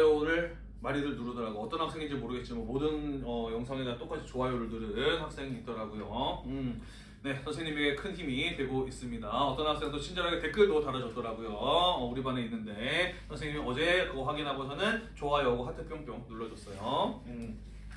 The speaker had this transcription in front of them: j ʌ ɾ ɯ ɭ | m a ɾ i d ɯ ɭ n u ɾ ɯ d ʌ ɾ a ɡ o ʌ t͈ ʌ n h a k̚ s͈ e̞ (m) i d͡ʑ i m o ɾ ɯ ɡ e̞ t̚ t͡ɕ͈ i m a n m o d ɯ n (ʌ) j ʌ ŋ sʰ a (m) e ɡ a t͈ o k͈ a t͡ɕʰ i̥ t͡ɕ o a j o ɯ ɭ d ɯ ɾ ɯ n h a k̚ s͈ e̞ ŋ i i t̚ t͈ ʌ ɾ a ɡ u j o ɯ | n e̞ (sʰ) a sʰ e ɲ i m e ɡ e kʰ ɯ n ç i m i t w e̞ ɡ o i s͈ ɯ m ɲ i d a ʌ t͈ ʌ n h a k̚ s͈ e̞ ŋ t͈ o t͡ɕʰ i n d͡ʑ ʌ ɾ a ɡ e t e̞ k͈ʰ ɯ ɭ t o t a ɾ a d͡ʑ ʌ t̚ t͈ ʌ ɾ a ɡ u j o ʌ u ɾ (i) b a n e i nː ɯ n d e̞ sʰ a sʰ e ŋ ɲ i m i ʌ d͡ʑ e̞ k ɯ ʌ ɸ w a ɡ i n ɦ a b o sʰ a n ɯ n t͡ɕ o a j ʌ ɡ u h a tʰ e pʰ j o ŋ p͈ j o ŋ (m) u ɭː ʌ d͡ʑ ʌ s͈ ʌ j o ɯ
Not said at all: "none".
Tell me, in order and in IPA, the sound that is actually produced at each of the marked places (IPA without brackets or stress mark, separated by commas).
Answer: ŋ, ʌ, ŋ, sʰ, i, n